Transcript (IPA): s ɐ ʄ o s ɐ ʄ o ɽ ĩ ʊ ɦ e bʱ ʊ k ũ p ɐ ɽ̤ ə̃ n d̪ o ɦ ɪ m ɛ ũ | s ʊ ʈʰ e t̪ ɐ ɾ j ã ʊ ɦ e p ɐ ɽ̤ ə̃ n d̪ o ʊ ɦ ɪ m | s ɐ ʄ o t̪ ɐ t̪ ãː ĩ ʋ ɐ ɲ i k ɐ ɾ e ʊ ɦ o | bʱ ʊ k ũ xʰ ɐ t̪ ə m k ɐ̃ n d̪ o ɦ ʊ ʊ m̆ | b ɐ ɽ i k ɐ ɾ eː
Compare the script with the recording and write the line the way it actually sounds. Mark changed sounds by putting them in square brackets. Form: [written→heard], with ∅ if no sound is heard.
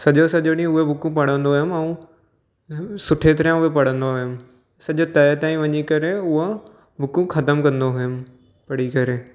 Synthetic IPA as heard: s ɐ ʄ o s ɐ ʄ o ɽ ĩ ʊ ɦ e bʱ ʊ k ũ p ɐ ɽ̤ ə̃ n d̪ o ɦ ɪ m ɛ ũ | s ʊ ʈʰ e t̪ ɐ ɾ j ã ʊ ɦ e p ɐ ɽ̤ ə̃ n d̪ o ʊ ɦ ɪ m | s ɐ ʄ o t̪ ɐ t̪ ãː ĩ ʋ ɐ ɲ i k ɐ ɾ e ʊ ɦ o | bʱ ʊ k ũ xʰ ɐ t̪ ə m k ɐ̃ n d̪ o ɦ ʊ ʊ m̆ | [b→p] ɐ ɽ i k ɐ ɾ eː

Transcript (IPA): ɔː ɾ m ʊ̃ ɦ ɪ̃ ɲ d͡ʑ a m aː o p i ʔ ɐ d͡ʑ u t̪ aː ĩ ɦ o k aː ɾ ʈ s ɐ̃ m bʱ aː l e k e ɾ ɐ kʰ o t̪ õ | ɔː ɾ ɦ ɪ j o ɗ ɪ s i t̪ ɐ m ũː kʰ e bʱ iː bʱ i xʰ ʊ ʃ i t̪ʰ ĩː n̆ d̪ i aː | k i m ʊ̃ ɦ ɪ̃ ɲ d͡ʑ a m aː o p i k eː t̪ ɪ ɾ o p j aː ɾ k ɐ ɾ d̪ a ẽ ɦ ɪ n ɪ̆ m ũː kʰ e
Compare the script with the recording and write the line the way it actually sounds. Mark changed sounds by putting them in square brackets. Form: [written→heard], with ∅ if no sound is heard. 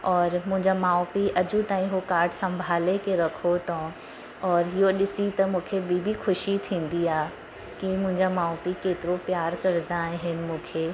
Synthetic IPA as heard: ɔː ɾ m ʊ̃ ɦ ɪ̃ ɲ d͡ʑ a m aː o p i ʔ ɐ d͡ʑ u t̪ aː ĩ ɦ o k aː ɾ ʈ s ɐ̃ m bʱ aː l e k e ɾ ɐ kʰ o t̪ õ | ɔː ɾ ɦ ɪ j o ɗ ɪ s i t̪ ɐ m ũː kʰ e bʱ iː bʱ i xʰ ʊ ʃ i t̪ʰ ĩː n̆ d̪ i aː | k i m ʊ̃ ɦ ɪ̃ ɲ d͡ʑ a m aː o p i k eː t̪ ɪ ɾ o p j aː ɾ k ɐ ɾ d̪ a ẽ ɦ ɪ n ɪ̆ m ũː kʰ e

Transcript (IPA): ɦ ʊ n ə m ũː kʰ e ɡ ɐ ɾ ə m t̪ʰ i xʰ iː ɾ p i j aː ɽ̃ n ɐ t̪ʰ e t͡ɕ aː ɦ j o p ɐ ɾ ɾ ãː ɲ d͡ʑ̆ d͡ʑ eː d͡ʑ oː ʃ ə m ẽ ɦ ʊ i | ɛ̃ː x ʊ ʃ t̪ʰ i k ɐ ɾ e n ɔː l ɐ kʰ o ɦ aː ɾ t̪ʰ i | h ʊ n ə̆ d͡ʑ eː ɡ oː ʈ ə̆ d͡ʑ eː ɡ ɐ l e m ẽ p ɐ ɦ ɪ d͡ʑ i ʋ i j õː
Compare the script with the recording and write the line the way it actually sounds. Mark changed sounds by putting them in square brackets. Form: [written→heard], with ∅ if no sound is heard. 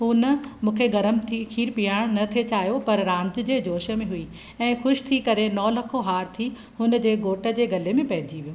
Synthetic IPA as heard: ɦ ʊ n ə m ũː kʰ e ɡ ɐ ɾ ə m t̪ʰ i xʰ iː ɾ p i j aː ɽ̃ n ɐ t̪ʰ e t͡ɕ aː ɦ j o p ɐ ɾ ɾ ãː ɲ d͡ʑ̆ d͡ʑ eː d͡ʑ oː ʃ ə m ẽ ɦ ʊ i | ɛ̃ː x ʊ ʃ t̪ʰ i k ɐ ɾ e n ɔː l ɐ kʰ o ɦ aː ɾ t̪ʰ i | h ʊ n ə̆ d͡ʑ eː ɡ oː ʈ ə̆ d͡ʑ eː ɡ ɐ l e m ẽ p ɐ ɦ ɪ d͡ʑ i ʋ i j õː

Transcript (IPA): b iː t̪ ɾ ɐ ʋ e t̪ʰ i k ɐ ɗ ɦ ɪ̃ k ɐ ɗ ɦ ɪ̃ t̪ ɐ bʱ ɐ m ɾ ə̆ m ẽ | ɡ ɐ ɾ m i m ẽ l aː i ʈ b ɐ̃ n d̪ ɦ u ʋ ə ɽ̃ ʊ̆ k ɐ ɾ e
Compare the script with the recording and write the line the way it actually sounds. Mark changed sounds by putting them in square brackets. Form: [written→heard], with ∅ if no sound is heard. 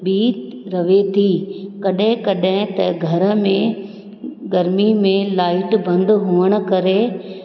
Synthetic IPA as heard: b iː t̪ ɾ ɐ ʋ e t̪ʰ i k ɐ ɗ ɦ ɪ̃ k ɐ ɗ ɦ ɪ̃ t̪ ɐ [bʱ→ɡʱ] ɐ [m→∅] ɾ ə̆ m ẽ | ɡ ɐ ɾ m i m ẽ l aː [i→ɪ] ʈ b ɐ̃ n d̪ ɦ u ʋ ə ɽ̃ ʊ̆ k ɐ ɾ e

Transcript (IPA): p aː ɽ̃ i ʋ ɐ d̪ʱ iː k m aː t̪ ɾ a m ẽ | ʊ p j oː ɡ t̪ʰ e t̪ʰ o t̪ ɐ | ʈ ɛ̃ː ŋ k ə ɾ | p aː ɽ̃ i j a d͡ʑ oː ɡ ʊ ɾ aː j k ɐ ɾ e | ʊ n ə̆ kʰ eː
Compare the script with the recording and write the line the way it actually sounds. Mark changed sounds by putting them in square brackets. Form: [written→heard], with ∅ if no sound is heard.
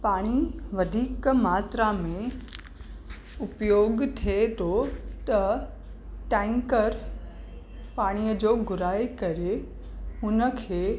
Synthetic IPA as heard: p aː ɽ̃ i ʋ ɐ d̪ʱ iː k m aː t̪ ɾ a m ẽ | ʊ p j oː ɡ t̪ʰ e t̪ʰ o t̪ ɐ | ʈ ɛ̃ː ŋ k ə ɾ | p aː ɽ̃ i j [a→ə] d͡ʑ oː ɡ ʊ ɾ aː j k ɐ ɾ e | ʊ n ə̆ kʰ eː

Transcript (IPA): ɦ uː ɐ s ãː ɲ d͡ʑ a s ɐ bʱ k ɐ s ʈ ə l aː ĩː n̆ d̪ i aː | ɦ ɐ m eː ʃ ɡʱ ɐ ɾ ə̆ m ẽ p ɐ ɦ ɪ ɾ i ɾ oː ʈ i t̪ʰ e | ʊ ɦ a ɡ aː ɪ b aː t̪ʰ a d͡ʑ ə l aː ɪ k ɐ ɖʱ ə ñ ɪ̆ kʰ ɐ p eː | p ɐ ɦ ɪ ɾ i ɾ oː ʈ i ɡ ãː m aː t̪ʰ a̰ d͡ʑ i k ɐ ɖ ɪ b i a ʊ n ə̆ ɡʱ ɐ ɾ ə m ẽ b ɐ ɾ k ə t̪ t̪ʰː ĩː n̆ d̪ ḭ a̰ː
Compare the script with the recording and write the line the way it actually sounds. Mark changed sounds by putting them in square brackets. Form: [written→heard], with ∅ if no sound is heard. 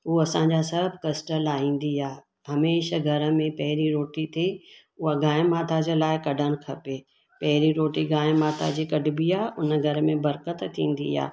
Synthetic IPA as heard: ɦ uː ɐ s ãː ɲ d͡ʑ a s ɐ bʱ k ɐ s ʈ ə l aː ĩː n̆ d̪ i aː | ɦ ɐ m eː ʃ ɡʱ ɐ ɾ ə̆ m ẽ p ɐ ɦ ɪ ɾ i ɾ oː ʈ i t̪ʰ e | ʊ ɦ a ɡ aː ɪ [b→m] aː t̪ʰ a d͡ʑ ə l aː ɪ k ɐ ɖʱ ə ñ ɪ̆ kʰ ɐ p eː | p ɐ ɦ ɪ ɾ i ɾ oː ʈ i ɡ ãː m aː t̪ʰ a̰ d͡ʑ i k ɐ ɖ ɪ b i a ʊ n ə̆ ɡʱ ɐ ɾ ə m ẽ b ɐ ɾ k ə t̪ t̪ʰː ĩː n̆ d̪ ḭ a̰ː

